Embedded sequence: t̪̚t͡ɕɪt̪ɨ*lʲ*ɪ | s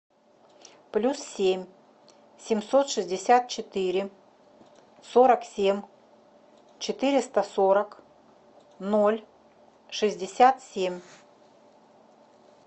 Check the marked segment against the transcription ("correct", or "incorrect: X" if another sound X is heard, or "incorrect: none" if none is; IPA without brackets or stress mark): incorrect: ɾʲ